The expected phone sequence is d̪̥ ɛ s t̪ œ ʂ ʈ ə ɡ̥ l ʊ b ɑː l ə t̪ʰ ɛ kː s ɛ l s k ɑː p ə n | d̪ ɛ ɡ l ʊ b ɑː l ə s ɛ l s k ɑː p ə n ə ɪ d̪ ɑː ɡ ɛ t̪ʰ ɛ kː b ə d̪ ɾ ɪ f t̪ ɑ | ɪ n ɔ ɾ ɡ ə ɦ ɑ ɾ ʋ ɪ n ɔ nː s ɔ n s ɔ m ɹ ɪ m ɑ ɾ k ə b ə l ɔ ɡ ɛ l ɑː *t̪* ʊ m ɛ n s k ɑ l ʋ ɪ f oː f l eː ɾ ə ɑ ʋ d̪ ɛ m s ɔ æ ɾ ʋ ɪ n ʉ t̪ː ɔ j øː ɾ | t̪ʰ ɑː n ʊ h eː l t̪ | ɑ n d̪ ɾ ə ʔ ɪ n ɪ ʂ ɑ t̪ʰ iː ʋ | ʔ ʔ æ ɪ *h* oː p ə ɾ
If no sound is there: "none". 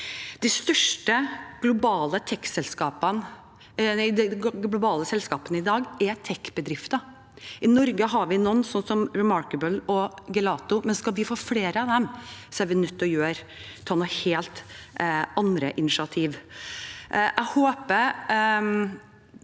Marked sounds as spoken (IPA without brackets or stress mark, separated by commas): t̪, h